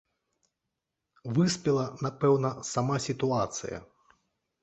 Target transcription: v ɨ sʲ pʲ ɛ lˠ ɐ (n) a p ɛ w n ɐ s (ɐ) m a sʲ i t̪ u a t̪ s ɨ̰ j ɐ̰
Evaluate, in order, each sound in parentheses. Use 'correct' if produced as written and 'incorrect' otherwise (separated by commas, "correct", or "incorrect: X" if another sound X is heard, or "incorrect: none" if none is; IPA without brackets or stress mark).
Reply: correct, incorrect: a